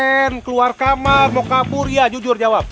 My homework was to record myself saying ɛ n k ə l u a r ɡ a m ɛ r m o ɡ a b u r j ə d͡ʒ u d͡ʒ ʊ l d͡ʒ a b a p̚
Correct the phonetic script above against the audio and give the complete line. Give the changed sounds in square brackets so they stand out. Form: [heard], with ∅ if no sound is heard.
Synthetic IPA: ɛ n k ə l u a r [k] a m [a] r m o [k] a b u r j [a] d͡ʒ u d͡ʒ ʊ [r] d͡ʒ a [w] a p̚

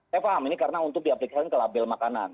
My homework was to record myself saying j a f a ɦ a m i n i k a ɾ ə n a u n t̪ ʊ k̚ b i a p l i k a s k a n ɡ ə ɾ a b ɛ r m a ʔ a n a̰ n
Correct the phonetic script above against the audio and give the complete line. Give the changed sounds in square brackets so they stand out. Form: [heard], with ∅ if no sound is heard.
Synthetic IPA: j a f a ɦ a m i n i k a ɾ ə n a u n t̪ ʊ k̚ [d] i a p l i k a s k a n [k] ə [l] a b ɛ [l] m a [k] a n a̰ n

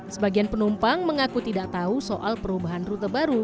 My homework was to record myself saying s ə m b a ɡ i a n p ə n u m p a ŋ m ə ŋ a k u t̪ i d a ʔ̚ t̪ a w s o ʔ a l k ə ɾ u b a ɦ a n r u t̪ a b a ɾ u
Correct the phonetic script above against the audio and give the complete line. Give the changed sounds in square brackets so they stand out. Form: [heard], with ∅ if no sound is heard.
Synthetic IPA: s ə [∅] b a ɡ i a n p ə n u m p a ŋ m ə ŋ a k u t̪ i d a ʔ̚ t̪ a [u] s o ʔ a l [p] ə ɾ u b a ɦ a n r u t̪ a b a ɾ u

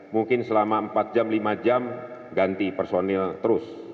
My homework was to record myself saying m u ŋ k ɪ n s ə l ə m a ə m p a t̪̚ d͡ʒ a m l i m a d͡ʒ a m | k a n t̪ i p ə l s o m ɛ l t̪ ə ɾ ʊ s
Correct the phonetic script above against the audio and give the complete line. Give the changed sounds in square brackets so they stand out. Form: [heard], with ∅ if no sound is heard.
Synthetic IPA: m u ŋ k ɪ n s ə l [a] m a ə m p a t̪̚ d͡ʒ a m l i m a d͡ʒ a m | [ɡ] a n t̪ i p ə [r] s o [n] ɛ l t̪ ə ɾ ʊ s

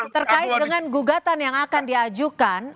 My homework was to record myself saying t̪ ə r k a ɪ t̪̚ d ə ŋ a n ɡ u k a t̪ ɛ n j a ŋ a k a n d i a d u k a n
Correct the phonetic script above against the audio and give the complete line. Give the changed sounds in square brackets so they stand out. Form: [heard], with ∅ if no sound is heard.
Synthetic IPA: t̪ ə r k a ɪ t̪̚ d ə ŋ a n ɡ u [ɡ] a t̪ [a] n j a ŋ a k a n d i a [d͡ʒ] u k a n

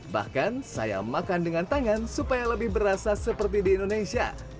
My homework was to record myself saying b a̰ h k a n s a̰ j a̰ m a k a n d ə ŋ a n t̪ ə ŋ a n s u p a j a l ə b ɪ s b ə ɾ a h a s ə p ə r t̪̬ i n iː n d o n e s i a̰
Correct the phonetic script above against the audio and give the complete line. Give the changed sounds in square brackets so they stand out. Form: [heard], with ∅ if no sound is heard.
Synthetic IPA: b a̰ h k a n s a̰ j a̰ m a k a n d ə ŋ a n t̪ [a] ŋ a n s u p a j a l ə b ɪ [h] b ə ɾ a [s] a s ə p ə r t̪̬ i [d] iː n d o n e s i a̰

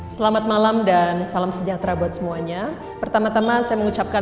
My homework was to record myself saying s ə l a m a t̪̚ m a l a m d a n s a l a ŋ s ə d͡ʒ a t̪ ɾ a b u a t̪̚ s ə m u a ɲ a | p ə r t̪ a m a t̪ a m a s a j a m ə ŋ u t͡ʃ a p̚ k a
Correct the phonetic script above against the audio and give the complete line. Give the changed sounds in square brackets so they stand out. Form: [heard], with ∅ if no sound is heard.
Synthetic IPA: s ə l a m a t̪̚ m a l a m d a n s a l a [m] s ə d͡ʒ a t̪ ɾ a b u a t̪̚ s ə m u a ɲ a | p ə r t̪ a m a t̪ a m a s a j a m ə ŋ u t͡ʃ a p̚ k a

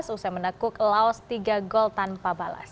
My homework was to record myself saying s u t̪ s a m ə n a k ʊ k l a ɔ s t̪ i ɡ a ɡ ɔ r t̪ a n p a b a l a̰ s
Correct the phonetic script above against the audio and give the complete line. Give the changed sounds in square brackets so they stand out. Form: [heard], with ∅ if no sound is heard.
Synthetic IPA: s u [∅] s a m ə n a k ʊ k l a ɔ s t̪ i ɡ a ɡ ɔ [l] t̪ a n p a b a l a̰ s

